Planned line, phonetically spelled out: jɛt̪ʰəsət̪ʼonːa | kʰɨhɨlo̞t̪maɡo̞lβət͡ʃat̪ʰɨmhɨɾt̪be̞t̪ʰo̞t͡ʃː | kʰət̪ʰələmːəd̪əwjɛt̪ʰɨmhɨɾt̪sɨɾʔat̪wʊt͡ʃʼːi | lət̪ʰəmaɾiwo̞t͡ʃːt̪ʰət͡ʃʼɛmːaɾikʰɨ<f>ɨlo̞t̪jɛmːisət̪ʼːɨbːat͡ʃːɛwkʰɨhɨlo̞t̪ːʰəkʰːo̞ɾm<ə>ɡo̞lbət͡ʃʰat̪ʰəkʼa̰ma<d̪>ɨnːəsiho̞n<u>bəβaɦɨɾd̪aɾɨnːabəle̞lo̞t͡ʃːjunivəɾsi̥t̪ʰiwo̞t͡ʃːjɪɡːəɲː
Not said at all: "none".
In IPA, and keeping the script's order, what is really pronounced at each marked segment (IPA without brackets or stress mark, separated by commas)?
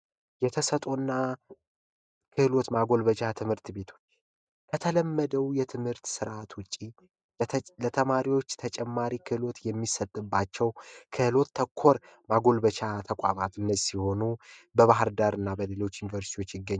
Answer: h, a, t̪, u